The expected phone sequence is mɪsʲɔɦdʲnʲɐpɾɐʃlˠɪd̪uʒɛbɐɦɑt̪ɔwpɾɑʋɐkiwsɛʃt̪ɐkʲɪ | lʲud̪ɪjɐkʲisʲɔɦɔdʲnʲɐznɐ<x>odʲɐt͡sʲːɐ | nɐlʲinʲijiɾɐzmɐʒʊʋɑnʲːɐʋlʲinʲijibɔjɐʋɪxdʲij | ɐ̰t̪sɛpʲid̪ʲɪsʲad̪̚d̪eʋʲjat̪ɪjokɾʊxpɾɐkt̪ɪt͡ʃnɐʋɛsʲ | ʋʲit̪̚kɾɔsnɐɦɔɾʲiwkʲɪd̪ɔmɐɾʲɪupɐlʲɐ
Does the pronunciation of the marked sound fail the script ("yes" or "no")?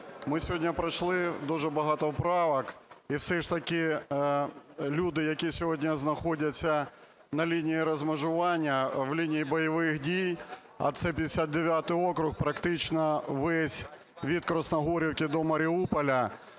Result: no